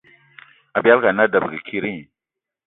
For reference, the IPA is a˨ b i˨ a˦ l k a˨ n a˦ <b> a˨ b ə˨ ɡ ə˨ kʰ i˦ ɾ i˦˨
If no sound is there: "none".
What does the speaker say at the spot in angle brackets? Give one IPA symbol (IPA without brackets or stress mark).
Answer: d